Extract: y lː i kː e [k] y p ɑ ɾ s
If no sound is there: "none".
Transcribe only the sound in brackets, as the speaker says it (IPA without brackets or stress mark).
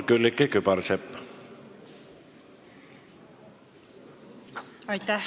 k